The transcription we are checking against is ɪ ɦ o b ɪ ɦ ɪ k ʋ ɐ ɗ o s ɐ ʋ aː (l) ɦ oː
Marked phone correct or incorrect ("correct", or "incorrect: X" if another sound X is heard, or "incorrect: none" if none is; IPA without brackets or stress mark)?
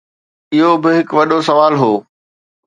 correct